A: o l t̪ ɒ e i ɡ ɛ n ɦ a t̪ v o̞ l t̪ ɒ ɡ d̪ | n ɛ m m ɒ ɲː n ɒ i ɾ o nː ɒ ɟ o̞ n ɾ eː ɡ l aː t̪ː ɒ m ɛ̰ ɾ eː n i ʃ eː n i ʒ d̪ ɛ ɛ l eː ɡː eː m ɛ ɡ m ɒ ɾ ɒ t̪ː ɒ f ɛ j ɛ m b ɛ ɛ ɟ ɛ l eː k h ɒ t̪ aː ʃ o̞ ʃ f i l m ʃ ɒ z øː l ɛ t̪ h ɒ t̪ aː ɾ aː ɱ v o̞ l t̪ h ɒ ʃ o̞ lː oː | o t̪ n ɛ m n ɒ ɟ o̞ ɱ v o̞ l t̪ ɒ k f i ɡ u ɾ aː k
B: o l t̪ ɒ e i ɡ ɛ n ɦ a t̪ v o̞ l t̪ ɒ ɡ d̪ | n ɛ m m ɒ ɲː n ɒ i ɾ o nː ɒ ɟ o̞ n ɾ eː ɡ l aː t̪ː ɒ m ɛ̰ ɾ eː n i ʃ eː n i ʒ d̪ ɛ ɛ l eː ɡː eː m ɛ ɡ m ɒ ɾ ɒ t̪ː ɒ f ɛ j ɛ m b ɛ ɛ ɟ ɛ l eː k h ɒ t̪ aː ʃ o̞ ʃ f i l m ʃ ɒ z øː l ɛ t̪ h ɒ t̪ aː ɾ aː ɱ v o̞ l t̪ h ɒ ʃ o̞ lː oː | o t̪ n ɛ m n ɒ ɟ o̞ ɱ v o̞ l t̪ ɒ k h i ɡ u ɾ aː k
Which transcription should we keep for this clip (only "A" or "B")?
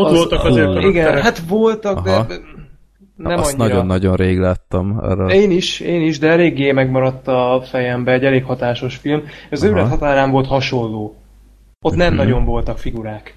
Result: A